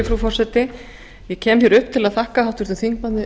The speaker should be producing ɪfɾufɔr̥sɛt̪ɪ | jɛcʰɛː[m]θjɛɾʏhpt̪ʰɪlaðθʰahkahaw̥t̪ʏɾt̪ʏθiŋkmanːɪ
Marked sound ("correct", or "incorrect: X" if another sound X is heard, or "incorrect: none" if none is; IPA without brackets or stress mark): correct